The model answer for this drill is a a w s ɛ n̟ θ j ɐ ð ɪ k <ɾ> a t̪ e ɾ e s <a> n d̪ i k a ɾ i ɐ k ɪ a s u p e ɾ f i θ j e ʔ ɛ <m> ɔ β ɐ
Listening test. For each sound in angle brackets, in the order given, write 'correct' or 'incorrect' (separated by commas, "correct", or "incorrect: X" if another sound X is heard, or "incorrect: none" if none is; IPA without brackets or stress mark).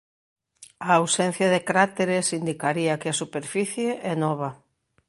correct, incorrect: i, incorrect: n